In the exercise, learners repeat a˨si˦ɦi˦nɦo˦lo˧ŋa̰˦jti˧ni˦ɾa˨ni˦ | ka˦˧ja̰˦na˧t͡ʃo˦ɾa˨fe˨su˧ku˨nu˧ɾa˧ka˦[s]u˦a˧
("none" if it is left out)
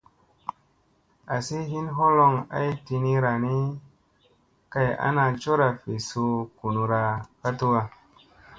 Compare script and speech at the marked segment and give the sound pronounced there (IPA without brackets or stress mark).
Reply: t